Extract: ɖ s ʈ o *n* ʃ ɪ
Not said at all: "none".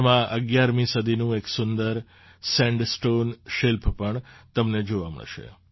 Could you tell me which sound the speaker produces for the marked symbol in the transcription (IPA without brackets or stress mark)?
n